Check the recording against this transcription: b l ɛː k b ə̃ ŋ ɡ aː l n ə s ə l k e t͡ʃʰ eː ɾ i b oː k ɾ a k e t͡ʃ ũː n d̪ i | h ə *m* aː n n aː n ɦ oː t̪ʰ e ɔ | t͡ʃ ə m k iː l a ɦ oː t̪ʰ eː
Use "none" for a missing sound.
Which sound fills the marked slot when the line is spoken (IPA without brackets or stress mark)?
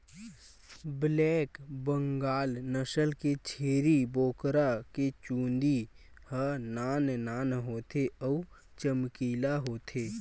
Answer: n